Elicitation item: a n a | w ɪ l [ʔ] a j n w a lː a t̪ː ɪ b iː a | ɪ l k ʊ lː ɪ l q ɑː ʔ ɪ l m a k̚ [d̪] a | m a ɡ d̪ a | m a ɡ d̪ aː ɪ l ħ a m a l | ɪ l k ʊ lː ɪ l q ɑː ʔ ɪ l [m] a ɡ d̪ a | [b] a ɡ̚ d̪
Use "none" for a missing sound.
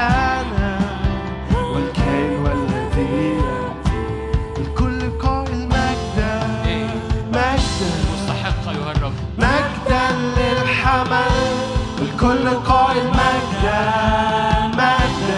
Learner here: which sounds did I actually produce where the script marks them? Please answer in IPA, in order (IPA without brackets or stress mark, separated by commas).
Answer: k, d̪, m, m